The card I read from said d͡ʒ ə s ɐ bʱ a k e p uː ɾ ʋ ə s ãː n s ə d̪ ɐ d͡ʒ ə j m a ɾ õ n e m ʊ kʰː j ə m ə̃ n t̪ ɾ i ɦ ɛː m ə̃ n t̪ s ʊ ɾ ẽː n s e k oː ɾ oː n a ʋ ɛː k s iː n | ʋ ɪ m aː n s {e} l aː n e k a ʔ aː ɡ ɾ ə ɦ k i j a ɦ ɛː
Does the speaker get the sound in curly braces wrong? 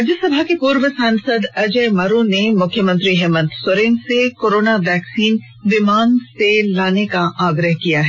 no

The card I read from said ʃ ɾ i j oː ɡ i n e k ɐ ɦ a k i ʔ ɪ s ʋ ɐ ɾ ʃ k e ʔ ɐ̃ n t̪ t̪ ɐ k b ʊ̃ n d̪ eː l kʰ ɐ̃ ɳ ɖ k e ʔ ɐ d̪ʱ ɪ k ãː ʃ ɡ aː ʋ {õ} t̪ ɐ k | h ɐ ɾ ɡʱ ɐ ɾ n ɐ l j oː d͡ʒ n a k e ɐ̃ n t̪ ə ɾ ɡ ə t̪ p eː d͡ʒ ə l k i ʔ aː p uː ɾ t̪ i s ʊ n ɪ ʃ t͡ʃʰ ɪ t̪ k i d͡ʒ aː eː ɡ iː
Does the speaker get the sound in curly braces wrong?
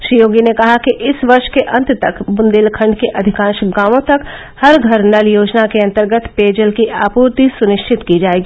no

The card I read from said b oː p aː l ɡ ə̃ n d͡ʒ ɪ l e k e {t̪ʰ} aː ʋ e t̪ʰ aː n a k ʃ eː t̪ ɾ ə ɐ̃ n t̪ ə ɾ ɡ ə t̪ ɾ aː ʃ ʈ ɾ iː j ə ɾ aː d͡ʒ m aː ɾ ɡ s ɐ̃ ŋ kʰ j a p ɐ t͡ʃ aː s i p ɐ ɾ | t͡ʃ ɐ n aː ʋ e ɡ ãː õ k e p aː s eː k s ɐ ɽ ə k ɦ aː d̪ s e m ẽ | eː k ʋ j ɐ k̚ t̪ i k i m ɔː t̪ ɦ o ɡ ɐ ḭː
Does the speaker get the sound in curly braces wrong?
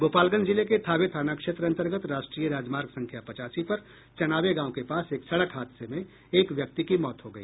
no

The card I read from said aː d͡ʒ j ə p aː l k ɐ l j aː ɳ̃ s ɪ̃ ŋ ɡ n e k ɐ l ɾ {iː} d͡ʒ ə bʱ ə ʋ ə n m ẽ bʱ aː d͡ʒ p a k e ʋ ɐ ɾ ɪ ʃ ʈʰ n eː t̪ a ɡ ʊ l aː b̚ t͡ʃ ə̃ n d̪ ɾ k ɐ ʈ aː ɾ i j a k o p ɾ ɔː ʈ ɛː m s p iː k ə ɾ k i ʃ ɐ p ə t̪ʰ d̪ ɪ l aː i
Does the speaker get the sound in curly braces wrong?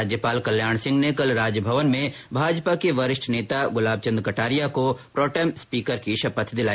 yes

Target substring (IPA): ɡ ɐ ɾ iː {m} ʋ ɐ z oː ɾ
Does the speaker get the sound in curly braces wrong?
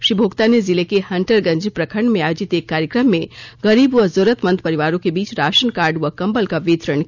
yes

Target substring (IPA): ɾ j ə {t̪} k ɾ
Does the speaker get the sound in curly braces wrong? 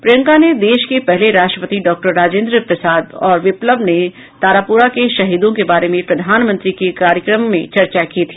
yes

